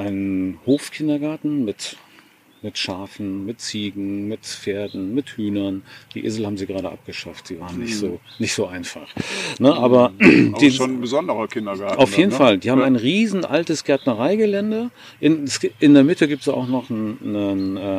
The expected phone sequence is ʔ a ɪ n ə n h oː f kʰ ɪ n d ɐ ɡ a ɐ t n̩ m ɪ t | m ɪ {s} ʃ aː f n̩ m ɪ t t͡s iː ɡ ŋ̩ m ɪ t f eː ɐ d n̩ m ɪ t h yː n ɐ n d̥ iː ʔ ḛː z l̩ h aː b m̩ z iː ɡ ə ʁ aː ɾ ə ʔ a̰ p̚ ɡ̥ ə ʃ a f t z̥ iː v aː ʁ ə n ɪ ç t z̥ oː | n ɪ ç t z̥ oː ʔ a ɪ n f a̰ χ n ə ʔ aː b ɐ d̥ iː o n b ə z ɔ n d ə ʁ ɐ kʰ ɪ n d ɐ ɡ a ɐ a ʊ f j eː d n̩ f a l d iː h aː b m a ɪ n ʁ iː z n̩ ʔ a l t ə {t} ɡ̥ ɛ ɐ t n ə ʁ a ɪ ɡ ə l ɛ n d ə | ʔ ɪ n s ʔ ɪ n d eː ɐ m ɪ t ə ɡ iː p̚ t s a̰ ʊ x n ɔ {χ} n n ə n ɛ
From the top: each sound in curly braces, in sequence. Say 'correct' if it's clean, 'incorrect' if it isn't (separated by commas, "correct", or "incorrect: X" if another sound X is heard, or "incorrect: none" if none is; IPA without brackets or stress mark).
incorrect: t, incorrect: s, correct